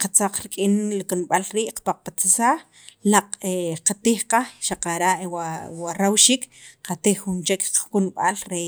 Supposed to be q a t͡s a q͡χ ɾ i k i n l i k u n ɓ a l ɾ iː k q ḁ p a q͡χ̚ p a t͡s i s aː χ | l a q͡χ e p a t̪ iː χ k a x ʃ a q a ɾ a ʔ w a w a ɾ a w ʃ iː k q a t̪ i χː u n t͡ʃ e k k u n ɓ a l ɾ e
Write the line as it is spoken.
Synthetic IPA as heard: q a t͡s a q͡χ ɾ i kʼ i n l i k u n ɓ a l ɾ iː ʔ q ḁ p a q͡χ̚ p a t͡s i s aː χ | l a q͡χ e q a t̪ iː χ q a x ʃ a q a ɾ a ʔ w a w a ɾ a w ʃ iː k q a t̪ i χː u n t͡ʃ e k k u n ɓ a l ɾ e